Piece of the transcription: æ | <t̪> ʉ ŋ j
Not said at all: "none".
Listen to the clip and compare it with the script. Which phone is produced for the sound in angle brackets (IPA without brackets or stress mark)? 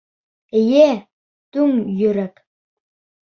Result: t̪